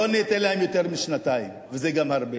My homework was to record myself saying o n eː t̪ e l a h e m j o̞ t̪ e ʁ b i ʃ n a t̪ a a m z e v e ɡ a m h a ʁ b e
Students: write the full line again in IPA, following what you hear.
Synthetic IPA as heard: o n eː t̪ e l a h e m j o̞ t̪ e ʁ m i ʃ n a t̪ a i m v e z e ɡ a m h a ʁ b e